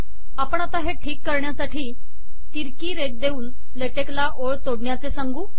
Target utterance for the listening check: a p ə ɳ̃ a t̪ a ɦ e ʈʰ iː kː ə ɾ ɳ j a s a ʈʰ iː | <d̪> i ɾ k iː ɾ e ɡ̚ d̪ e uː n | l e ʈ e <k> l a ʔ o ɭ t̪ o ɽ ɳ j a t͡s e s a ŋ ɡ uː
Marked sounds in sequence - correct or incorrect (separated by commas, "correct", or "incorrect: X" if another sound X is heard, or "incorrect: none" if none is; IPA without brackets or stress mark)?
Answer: incorrect: t̪, correct